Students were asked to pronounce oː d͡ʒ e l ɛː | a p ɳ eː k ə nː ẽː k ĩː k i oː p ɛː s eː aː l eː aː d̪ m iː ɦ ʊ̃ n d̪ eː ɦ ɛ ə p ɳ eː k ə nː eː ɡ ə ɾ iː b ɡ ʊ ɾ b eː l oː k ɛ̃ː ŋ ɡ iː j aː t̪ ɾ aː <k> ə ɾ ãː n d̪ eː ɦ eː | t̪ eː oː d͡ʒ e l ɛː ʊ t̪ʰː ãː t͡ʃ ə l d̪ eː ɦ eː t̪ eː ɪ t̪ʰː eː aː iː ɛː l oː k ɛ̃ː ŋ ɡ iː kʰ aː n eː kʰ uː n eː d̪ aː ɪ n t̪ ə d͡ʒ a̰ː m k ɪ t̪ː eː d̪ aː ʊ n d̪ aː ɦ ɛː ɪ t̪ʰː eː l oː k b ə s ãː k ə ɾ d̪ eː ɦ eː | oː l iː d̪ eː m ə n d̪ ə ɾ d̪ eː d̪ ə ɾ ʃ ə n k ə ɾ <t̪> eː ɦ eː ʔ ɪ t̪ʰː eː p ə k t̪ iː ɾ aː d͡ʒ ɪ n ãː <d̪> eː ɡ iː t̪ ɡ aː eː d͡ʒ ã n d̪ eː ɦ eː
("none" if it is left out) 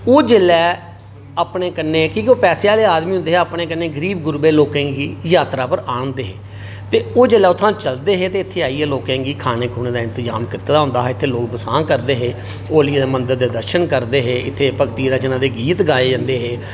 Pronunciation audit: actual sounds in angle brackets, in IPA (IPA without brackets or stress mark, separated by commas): p, d̪, d̪